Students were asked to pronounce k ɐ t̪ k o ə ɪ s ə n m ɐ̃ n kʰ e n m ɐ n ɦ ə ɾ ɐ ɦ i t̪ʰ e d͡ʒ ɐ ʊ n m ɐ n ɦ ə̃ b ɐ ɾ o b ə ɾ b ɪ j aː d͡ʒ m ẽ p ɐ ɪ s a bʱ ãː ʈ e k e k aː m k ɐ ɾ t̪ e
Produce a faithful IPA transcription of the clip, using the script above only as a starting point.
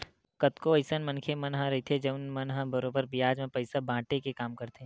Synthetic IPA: k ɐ t̪ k o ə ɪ s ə n m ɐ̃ n kʰ e m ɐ n ɦ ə ɾ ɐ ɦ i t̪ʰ e d͡ʒ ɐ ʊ n m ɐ n ɦ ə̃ b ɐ ɾ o b ə ɾ b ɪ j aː d͡ʒ m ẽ p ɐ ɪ s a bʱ ãː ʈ e k e k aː m k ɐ ɾ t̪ e

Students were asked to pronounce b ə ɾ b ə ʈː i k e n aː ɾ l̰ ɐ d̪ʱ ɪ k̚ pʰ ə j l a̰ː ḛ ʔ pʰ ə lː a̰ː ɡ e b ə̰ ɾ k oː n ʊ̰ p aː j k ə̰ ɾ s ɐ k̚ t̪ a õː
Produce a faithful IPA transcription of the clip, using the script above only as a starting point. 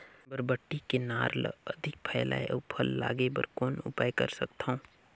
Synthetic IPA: b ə ɾ b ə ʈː i k e n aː ɾ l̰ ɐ d̪ʱ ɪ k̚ pʰ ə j l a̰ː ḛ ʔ pʰ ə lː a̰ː ɡ e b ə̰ ɾ k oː n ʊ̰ p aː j k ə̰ ɾ s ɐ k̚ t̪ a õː

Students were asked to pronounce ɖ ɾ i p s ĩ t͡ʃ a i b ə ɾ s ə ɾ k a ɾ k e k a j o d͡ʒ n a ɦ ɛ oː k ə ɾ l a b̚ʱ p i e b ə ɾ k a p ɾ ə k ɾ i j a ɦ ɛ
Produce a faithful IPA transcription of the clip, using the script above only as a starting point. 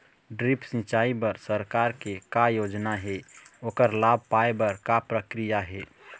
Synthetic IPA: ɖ ɾ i p s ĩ t͡ʃ a i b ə ɾ s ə ɾ k a ɾ k e k a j o d͡ʒ n a ɦ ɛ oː k ə ɾ l a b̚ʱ p a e b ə ɾ k a p ɾ ə k ɾ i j a ɦ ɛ

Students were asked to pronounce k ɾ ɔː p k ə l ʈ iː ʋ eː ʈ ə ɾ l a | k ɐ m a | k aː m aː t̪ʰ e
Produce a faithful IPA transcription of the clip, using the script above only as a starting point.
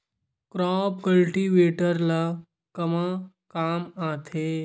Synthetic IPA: k ɾ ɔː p k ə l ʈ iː ʋ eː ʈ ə ɾ l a | k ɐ m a | k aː m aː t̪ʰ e

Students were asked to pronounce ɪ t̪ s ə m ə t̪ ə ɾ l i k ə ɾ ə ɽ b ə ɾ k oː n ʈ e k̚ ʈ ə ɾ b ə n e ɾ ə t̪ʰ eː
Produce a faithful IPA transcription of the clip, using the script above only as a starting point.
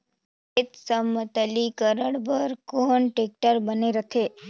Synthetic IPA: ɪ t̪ s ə m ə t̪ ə l i k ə ɾ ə ɽ b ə ɾ k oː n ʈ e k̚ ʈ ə ɾ b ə n e ɾ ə t̪ʰ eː

